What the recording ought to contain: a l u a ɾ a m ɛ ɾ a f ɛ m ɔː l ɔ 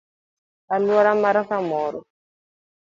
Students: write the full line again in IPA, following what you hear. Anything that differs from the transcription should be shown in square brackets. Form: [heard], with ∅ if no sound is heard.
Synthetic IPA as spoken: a l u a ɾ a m [a] ɾ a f [a] m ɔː [ɾ] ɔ